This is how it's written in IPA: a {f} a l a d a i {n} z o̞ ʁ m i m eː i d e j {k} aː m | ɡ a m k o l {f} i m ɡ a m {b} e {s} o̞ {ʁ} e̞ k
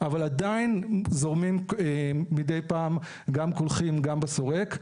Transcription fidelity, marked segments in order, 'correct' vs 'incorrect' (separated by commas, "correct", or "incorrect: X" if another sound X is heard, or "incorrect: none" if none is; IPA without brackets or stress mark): incorrect: v, correct, incorrect: p, incorrect: χ, correct, correct, correct